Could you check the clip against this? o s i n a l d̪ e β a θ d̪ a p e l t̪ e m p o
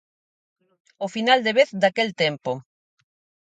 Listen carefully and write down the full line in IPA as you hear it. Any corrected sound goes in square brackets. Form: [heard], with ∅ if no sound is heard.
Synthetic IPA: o [f] i n a l d̪ e β [e] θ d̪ a [k] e l t̪ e m p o